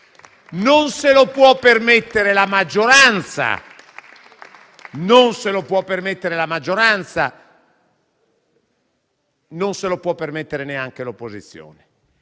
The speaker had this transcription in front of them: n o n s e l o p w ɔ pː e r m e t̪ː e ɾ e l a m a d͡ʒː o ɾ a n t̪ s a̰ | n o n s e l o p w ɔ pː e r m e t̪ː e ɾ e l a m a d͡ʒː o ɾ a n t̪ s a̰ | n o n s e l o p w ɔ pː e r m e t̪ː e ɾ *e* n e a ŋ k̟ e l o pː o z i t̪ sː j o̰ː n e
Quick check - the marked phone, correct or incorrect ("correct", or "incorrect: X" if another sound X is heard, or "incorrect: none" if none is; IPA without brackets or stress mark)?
correct